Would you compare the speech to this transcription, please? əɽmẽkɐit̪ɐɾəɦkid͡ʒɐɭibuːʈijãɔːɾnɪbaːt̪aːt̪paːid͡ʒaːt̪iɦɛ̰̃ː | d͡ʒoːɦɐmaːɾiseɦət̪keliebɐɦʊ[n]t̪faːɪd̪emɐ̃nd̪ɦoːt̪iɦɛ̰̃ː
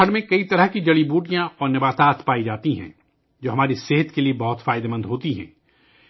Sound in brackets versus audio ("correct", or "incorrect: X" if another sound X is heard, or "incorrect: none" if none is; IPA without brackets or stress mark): incorrect: none